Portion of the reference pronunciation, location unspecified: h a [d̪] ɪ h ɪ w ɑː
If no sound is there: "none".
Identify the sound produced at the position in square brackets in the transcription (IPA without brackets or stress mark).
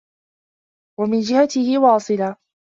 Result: t̪